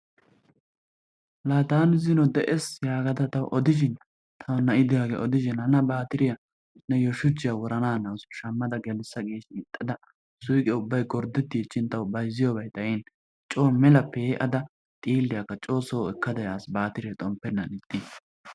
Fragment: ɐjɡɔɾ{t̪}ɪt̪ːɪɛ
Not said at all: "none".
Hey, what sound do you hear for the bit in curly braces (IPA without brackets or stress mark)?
d̪